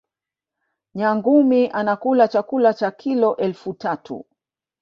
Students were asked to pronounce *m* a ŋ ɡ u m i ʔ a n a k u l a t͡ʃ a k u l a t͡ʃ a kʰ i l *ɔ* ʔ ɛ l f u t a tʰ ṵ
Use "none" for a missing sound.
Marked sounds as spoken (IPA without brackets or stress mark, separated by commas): ɲ, ɔ